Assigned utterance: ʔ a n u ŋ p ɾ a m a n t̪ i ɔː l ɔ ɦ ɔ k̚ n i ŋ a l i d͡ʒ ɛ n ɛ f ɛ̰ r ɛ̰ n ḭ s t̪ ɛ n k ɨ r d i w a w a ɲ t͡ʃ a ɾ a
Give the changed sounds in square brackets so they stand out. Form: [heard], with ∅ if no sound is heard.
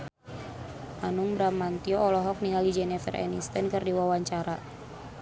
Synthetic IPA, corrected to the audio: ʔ a n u ŋ [b] ɾ a m a n t̪ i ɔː l ɔ ɦ ɔ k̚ n i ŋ a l i d͡ʒ ɛ n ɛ f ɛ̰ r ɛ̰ n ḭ s t̪ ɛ n k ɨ r d i w a w a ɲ t͡ʃ a ɾ a